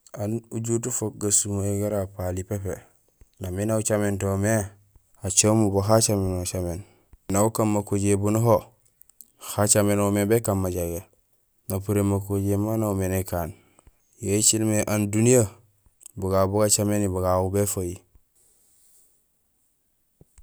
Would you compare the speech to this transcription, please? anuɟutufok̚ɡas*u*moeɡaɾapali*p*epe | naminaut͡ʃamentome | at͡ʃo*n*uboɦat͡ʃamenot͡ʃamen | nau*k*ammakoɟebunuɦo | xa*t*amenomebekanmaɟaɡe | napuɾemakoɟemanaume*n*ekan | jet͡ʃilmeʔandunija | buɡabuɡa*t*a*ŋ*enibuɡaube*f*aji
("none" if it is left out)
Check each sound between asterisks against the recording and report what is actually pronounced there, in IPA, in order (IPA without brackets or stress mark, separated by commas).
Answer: u, p, m, k, t͡ʃ, n, t͡ʃ, m, f